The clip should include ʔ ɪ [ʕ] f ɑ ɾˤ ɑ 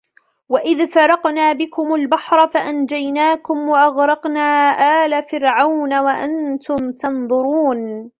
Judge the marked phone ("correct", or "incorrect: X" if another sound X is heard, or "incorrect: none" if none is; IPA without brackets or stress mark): incorrect: ð